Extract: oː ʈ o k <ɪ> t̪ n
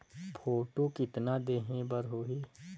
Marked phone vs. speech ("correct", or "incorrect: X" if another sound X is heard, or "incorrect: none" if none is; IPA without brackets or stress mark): correct